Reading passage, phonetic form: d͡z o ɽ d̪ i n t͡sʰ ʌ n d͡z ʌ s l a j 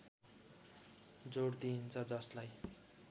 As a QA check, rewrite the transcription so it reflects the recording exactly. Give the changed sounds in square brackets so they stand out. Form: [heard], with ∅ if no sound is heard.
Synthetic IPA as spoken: d͡z o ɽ d̪ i n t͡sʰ ʌ [∅] d͡z ʌ s l a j